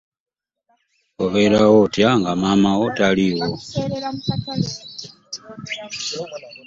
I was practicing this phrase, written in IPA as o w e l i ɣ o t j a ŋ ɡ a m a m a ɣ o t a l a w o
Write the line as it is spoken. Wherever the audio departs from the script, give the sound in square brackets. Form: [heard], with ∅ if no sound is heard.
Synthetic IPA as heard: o [β] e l [a] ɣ o t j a ŋ ɡ a m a m a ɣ o t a l [i] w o

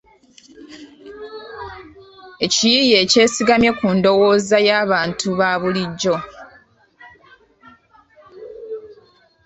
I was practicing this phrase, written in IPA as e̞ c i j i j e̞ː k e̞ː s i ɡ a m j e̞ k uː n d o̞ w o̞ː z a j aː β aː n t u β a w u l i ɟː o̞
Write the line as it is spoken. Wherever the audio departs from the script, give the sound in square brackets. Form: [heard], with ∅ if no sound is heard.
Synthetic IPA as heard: e̞ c i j i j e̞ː [c] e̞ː s i ɡ a m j e̞ k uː n d o̞ w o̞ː z a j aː β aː n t u β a [β] u l i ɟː o̞

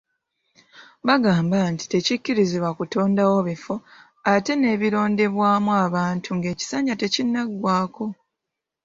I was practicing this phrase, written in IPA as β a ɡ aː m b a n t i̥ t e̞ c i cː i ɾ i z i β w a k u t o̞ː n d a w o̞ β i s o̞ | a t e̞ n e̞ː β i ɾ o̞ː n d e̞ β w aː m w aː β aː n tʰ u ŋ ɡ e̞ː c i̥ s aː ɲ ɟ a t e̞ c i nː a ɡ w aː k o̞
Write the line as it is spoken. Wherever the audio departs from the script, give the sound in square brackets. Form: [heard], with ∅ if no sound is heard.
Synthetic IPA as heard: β a ɡ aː m b a n t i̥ t e̞ c i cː i ɾ i z i β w a k u t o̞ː n d a w o̞ β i [f] o̞ | a t e̞ n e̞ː β i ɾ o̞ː n d e̞ β w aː m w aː β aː n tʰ u ŋ ɡ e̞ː c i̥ s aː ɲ ɟ a t e̞ c i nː a ɡ w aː k o̞

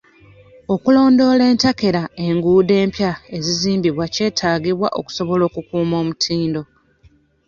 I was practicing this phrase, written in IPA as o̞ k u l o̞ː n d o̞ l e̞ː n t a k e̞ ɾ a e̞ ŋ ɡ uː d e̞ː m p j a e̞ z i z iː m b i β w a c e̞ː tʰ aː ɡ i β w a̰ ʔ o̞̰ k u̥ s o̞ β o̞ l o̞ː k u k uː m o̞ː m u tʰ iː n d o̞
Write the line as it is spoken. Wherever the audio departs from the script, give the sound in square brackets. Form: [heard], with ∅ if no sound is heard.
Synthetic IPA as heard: o̞ k u l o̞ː n d o̞ l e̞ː n t a k e̞ ɾ a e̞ ŋ ɡ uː d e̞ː m p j a e̞ z i z iː m b i β w a c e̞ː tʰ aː ɡ i β w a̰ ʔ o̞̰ k u̥ s o̞ β o̞ l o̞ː k u k uː m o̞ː m u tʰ iː n d o̞

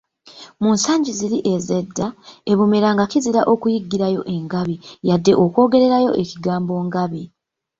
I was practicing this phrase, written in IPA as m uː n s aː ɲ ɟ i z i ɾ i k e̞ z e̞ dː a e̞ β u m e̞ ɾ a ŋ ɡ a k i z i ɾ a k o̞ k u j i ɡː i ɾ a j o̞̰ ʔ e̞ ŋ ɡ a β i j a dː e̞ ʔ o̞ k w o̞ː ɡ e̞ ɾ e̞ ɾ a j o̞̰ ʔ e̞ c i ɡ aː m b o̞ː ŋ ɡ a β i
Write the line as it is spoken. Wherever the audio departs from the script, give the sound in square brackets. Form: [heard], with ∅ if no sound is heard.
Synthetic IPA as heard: m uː n s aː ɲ ɟ i z i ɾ i [ʔ] e̞ z e̞ dː a e̞ β u m e̞ ɾ a ŋ ɡ a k i z i ɾ a [ʔ] o̞ k u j i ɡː i ɾ a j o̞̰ ʔ e̞ ŋ ɡ a β i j a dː e̞ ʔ o̞ k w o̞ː ɡ e̞ ɾ e̞ ɾ a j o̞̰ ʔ e̞ c i ɡ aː m b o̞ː ŋ ɡ a β i

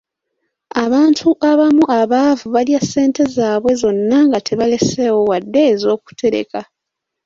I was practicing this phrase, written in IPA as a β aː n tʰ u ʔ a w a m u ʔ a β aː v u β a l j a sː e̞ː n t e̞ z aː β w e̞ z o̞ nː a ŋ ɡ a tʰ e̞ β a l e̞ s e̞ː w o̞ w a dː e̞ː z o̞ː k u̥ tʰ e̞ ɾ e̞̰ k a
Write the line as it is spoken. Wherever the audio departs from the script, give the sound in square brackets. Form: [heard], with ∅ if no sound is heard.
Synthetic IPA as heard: a β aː n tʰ u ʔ a [β] a m u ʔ a β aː v u β a l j a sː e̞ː n t e̞ z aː β w e̞ z o̞ nː a ŋ ɡ a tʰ e̞ β a l e̞ s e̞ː w o̞ w a dː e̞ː z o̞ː k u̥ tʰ e̞ ɾ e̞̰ k a

